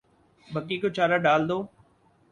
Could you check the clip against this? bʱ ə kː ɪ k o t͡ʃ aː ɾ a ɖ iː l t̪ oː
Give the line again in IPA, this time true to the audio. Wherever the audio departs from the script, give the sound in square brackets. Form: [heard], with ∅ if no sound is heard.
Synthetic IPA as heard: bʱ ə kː [i] k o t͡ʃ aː ɾ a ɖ [aː] l [d̪] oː